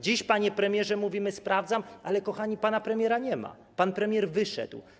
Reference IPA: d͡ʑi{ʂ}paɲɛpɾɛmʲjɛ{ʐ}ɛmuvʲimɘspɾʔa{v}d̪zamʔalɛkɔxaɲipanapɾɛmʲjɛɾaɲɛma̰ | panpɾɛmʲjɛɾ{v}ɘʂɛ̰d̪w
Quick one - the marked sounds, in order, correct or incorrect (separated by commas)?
incorrect, correct, correct, correct